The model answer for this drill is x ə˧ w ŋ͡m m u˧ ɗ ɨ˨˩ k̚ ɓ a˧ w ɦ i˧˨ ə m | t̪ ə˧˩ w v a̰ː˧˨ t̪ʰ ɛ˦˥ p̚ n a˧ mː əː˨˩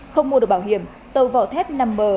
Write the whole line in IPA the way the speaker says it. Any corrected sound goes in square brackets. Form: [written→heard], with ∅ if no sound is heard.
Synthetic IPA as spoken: x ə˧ w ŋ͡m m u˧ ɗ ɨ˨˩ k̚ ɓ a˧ w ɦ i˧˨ ə m | t̪ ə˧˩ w v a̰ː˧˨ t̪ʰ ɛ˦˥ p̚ n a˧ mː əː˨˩